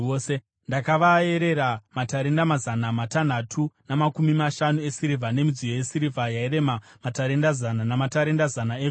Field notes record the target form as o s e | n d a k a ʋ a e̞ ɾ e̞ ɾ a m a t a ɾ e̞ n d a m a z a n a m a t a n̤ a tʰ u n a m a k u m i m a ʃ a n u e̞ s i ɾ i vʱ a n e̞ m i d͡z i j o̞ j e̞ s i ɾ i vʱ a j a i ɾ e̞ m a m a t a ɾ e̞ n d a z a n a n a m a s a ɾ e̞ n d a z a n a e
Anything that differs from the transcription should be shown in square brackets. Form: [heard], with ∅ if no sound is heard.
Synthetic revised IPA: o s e | n d a k a ʋ a e̞ ɾ e̞ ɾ a m a t a ɾ e̞ n d a m a z a n a m a t a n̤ a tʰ u n a m a k u m i m a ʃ a n u e̞ s i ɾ i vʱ a n e̞ m i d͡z i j o̞ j e̞ s i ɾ i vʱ a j a i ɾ e̞ m a m a t a ɾ e̞ n d a z a n a n a m a [t] a ɾ e̞ n d a z a n a e